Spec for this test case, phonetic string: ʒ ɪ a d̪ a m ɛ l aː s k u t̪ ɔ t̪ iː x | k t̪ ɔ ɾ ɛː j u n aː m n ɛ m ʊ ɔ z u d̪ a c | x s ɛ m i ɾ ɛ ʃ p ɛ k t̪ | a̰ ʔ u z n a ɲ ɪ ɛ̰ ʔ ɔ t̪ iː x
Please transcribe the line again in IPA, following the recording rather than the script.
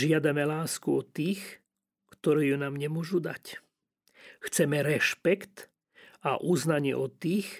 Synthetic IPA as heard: ʒ ɪ a d̪ a m ɛ l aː s k u ɔ t̪ iː x | k t̪ ɔ ɾ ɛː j u n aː m ɲ ɛ m ʊ ɔ ʒ u d̪ a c | x t͡s ɛ m ɛ ɾ ɛ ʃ p ɛ k t̪ | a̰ ʔ u z n a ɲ ɪ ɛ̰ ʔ ɔ t̪ iː x